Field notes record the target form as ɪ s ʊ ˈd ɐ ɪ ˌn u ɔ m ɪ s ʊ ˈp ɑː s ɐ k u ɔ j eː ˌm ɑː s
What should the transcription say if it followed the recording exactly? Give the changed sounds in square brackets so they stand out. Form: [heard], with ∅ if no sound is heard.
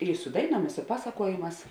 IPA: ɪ s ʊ ˈd ɐ ɪ ˌn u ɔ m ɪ s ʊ ˈp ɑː s ɐ k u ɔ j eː ˌm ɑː s

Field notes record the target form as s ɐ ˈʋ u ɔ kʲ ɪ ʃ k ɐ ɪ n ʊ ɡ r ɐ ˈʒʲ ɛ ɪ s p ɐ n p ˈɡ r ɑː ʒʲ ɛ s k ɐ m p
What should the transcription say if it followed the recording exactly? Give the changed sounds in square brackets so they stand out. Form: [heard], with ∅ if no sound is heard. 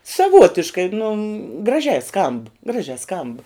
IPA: s ɐ ˈʋ u ɔ [tʲ] ɪ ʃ k ɐ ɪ n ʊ ɡ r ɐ ˈʒʲ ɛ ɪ s [k] ɐ [m] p ˈɡ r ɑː ʒʲ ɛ s k ɐ m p

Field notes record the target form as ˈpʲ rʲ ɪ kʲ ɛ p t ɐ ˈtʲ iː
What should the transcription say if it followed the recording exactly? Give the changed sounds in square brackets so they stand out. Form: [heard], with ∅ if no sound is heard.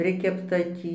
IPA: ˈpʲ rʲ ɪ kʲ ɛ p t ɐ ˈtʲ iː

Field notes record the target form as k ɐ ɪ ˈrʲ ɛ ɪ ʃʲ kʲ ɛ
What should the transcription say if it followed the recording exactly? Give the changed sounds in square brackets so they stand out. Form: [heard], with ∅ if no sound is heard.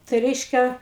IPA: [t] ɐ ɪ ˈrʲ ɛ ɪ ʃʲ kʲ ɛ

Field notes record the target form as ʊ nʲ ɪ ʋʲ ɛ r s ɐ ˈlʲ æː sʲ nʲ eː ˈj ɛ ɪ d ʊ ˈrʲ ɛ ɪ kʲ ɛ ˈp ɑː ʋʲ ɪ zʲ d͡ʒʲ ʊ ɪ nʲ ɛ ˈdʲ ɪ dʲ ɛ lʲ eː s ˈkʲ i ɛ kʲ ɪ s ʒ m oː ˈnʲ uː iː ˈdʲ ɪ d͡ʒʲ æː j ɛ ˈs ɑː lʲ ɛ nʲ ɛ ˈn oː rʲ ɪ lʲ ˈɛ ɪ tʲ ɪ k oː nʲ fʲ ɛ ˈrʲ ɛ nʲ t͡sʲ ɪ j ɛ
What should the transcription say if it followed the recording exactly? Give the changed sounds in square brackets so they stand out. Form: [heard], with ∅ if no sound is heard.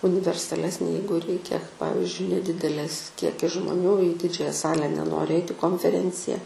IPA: ʊ nʲ ɪ ʋʲ ɛ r s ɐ ˈlʲ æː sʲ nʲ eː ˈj ɛ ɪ [ɡ] ʊ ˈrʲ ɛ ɪ kʲ ɛ ˈp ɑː ʋʲ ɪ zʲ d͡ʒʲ ʊ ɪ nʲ ɛ ˈdʲ ɪ dʲ ɛ lʲ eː s ˈkʲ i ɛ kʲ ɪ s ʒ m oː ˈnʲ uː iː ˈdʲ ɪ d͡ʒʲ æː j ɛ ˈs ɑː lʲ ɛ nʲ ɛ ˈn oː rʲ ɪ [∅] ˈɛ ɪ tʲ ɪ k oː nʲ fʲ ɛ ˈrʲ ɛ nʲ t͡sʲ ɪ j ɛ

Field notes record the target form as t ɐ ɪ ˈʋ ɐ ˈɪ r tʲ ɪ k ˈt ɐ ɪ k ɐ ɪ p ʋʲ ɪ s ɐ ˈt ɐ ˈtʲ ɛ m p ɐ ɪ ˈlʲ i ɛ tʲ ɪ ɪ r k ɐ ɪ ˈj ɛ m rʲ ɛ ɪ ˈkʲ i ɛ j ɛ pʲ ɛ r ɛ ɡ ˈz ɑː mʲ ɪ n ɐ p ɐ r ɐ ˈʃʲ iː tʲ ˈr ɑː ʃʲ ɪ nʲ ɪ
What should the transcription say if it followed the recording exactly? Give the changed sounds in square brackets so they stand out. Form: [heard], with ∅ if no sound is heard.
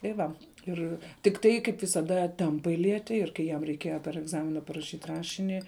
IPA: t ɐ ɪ ˈʋ ɐ ˈɪ r tʲ ɪ k ˈt ɐ ɪ k ɐ ɪ p ʋʲ ɪ s ɐ [ˈd] ɐ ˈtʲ ɛ m p ɐ ɪ ˈlʲ i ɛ tʲ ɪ ɪ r k ɐ ɪ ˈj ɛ m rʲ ɛ ɪ ˈkʲ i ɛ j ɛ pʲ ɛ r ɛ ɡ ˈz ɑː mʲ ɪ n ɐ p ɐ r ɐ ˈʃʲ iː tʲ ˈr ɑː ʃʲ ɪ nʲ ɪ

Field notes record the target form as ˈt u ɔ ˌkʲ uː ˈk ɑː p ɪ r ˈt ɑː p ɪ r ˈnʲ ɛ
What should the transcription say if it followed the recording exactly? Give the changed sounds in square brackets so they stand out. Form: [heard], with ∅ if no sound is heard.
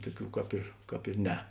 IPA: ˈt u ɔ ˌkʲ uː ˈk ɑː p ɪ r [ˈk] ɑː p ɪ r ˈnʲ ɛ

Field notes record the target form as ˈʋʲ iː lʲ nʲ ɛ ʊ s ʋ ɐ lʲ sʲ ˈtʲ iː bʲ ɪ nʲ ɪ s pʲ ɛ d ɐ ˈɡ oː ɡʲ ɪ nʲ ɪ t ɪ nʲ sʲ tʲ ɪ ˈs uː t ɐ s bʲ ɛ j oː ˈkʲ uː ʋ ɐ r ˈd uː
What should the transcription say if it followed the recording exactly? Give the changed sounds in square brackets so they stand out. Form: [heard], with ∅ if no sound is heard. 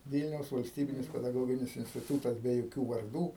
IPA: ˈʋʲ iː lʲ nʲ ɛ ʊ s ʋ ɐ lʲ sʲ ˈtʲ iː bʲ ɪ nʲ ɪ s pʲ ɛ d ɐ ˈɡ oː ɡʲ ɪ nʲ ɪ [s] ɪ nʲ sʲ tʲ ɪ [ˈt] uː t ɐ s bʲ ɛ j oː ˈkʲ uː ʋ ɐ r ˈd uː

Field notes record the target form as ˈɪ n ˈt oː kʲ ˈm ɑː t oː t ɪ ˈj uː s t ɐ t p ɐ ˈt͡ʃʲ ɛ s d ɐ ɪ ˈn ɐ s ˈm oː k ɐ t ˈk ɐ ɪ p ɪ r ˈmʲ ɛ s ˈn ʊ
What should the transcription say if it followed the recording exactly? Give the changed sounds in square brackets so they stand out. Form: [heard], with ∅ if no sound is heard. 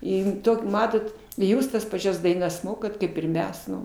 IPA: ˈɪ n ˈt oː kʲ ˈm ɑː t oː t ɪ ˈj uː s t ɐ [s] p ɐ ˈt͡ʃʲ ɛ s d ɐ ɪ ˈn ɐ s ˈm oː k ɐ t ˈk ɐ ɪ p ɪ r ˈmʲ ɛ s ˈn ʊ

